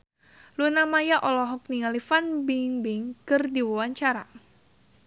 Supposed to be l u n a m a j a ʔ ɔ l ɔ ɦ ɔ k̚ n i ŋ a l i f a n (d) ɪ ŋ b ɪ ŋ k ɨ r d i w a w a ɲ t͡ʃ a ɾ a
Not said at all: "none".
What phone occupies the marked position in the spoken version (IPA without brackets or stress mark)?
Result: b